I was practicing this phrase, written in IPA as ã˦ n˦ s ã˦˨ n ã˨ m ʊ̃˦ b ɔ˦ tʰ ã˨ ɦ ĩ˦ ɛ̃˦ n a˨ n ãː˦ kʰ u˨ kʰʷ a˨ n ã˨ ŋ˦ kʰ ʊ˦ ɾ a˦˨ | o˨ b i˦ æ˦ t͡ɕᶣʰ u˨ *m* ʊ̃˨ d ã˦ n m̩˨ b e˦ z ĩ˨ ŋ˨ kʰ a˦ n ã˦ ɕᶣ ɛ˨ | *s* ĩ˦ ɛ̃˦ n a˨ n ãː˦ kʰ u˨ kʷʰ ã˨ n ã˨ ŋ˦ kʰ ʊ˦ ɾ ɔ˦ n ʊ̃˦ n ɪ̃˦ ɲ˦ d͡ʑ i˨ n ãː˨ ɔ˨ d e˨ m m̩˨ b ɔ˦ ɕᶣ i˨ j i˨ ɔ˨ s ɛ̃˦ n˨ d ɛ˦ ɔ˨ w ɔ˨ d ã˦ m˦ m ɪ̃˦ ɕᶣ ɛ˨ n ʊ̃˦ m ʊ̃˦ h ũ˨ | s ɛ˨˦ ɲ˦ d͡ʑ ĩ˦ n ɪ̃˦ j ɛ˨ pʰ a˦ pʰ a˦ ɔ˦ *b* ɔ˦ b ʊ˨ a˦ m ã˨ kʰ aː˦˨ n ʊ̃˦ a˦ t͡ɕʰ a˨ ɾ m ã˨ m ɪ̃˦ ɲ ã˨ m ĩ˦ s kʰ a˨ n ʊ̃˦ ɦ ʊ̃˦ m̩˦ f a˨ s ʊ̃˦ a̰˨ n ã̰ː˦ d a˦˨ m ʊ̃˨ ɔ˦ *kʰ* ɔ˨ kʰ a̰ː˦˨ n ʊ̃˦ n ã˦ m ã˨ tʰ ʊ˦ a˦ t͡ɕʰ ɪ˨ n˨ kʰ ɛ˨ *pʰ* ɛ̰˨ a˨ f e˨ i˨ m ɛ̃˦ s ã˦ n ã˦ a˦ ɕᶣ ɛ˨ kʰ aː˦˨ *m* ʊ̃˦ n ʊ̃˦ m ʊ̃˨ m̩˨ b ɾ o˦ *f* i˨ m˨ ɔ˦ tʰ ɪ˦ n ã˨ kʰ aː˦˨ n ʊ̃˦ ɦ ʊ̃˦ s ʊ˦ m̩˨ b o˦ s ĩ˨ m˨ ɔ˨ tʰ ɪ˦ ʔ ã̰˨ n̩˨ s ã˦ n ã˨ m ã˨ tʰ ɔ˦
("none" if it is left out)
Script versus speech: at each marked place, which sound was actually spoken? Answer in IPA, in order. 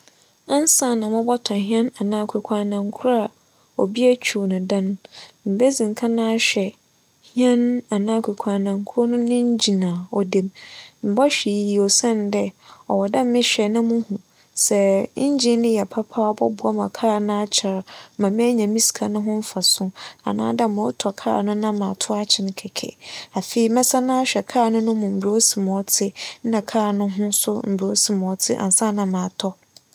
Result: n, h, b, tʰ, kʰ, n, s

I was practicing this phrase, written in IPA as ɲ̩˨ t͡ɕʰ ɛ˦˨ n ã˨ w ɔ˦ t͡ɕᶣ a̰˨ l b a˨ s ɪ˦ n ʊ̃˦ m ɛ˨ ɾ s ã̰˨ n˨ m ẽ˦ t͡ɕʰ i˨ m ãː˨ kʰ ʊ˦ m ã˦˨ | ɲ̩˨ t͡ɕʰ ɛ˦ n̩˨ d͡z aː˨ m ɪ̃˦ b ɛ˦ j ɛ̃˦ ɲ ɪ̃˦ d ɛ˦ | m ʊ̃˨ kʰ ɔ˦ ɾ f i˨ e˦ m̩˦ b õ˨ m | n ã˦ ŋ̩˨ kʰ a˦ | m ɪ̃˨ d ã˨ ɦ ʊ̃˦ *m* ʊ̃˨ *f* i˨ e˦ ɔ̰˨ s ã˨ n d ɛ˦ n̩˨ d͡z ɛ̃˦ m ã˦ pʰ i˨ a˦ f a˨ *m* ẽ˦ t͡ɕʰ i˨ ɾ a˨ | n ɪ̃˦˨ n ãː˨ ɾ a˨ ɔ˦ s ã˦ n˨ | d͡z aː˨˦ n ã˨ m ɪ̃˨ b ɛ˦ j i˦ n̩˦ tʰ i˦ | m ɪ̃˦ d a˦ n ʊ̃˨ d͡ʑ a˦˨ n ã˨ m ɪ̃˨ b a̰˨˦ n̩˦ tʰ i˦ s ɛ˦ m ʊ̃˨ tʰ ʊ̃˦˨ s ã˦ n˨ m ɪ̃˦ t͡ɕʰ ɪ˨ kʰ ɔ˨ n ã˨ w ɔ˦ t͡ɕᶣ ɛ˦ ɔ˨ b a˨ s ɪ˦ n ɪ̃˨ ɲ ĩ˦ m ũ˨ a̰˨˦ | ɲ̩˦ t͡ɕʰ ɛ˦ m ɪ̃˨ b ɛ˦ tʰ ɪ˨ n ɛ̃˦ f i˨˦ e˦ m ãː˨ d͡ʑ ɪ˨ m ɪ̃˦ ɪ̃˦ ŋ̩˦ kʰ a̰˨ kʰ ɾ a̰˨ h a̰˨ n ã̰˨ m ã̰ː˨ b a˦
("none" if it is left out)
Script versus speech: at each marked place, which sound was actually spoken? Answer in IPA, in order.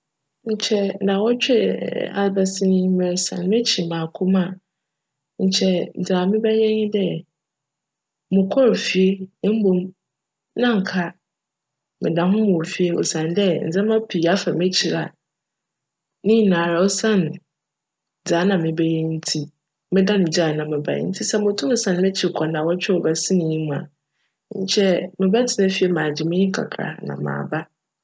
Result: m, f, m

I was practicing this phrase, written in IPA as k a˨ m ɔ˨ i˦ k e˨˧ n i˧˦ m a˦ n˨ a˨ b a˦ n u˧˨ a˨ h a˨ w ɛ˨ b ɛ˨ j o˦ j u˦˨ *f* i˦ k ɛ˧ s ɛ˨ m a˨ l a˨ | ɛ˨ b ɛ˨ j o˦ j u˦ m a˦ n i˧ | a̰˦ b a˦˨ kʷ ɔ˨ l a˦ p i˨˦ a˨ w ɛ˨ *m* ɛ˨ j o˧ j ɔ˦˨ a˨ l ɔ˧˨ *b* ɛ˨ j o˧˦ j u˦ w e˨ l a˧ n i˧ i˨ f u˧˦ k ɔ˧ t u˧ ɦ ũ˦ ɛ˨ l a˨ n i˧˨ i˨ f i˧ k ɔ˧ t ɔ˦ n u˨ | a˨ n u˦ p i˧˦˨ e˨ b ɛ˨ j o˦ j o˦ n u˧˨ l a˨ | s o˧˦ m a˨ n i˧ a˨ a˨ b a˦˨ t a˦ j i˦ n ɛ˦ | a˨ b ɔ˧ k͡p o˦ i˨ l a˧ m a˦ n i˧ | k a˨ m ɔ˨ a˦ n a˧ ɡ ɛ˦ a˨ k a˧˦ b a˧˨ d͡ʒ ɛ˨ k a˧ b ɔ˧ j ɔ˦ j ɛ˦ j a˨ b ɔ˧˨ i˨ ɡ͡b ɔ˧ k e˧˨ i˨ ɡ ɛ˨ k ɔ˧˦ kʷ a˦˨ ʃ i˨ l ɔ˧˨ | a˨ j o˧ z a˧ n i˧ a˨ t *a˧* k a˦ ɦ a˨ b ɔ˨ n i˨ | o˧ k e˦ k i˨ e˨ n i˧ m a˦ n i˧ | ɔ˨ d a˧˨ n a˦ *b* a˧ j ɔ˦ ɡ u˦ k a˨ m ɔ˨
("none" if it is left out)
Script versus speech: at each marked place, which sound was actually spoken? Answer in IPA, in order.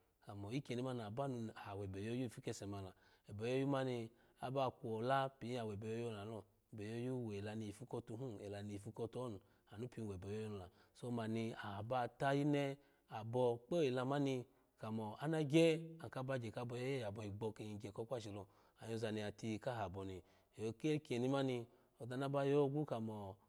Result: f, b, b, i˧, b

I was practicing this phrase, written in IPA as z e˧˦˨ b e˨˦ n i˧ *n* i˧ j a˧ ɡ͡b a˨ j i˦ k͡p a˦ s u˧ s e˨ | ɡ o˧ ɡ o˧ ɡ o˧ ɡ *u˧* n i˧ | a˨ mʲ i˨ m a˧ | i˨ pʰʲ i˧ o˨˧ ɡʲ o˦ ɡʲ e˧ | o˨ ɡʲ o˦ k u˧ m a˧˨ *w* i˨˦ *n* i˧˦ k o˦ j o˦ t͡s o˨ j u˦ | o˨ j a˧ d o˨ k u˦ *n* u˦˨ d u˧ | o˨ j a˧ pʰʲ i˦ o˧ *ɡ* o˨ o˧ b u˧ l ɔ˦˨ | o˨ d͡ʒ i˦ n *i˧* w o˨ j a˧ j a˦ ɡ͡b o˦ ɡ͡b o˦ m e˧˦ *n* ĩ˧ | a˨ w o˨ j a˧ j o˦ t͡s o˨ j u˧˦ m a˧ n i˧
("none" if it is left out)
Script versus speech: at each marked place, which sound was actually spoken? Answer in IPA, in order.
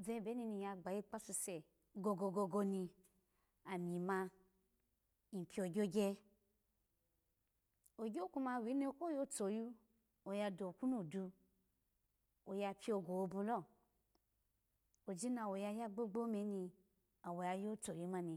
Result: n, o˧, w, n, n, ɡ, a˧, n

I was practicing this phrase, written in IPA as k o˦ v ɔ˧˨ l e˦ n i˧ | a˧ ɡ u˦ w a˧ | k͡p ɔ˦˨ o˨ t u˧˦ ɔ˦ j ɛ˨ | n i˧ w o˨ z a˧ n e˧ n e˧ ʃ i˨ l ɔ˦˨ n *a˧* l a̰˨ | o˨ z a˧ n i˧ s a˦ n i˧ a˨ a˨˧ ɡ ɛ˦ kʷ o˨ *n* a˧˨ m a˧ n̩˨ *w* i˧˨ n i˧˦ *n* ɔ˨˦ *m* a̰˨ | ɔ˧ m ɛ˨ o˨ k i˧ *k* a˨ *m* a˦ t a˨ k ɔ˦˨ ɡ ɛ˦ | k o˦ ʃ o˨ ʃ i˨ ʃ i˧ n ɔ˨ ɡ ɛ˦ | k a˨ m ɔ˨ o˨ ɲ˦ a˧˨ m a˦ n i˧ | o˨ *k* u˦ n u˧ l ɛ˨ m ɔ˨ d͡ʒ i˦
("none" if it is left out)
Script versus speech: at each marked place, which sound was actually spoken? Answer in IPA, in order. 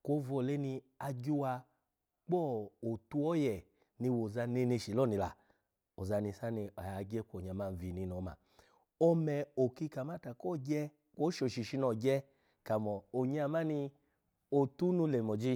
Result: i˧, ɲ, v, n, m, k, m, t

